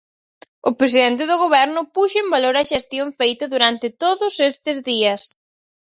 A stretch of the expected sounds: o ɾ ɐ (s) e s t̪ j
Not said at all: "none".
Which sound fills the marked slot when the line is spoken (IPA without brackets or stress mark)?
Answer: ʃ